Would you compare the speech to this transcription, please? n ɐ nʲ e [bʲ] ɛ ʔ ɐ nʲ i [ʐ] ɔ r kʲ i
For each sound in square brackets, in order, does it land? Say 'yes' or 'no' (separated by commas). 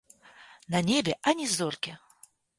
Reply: yes, no